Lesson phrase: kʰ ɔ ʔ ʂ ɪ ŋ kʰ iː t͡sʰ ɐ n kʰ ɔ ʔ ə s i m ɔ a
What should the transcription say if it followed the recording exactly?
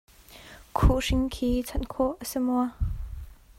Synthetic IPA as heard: kʰ u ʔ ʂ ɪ ŋ kʰ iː t͡sʰ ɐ n kʰ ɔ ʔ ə s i m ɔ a